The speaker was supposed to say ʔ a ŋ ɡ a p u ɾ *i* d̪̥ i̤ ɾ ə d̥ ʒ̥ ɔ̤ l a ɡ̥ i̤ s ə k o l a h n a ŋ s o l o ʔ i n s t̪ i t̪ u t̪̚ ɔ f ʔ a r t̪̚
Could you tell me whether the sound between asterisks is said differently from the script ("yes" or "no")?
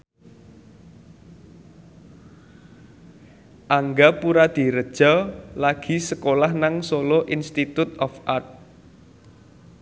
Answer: yes